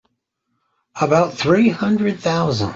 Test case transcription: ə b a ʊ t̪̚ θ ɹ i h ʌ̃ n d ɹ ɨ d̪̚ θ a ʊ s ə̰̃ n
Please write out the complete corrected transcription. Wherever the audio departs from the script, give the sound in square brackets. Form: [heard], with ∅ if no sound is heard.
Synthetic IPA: ə b a ʊ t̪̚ θ ɹ i h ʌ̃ n d ɹ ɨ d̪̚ θ a ʊ [z] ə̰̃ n